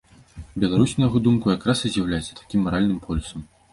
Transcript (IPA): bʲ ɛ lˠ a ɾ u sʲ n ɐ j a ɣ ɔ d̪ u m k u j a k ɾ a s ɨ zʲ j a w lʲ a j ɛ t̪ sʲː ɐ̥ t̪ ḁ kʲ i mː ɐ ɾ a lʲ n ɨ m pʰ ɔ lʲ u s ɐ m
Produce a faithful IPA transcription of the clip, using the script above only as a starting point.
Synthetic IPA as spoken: bʲ ɛ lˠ a ɾ u sʲ n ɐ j a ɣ ɔ d̪ u m k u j a k ɾ a s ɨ zʲ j a w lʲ a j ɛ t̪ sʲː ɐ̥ t̪ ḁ kʲ i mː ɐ ɾ a lʲ n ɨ m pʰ ɔ lʲ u s ɐ m